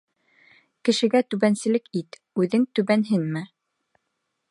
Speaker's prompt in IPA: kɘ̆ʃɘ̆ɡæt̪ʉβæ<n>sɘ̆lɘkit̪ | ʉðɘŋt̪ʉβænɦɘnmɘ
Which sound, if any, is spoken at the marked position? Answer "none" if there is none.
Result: n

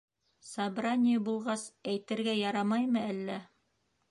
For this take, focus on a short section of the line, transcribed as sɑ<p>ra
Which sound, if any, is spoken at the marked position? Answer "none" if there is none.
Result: b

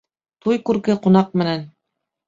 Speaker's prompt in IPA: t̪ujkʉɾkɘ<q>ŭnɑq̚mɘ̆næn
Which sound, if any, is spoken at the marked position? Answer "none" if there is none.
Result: q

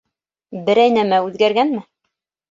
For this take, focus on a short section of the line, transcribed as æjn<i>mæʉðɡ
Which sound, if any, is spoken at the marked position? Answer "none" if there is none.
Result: æ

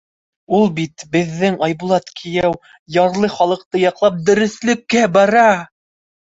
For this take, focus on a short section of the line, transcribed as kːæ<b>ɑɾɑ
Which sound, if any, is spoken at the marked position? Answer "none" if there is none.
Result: b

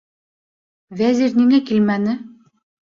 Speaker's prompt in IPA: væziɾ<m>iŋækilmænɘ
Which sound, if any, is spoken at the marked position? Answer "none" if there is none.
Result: n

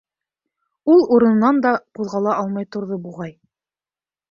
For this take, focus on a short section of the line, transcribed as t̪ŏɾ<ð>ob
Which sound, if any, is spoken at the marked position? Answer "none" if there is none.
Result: ð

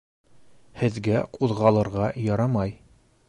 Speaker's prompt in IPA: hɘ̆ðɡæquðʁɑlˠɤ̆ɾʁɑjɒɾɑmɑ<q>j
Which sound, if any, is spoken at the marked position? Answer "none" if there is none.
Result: none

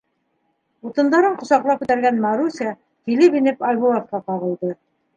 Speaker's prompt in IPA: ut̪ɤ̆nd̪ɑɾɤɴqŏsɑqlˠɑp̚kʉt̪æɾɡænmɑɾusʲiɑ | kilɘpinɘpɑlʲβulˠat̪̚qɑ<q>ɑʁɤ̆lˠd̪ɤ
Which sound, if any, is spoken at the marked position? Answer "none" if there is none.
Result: q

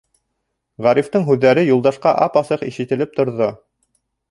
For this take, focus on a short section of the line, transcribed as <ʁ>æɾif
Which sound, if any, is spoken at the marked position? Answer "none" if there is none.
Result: ʁ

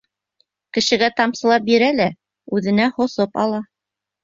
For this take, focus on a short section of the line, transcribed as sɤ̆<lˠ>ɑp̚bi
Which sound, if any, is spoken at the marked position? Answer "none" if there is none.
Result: lˠ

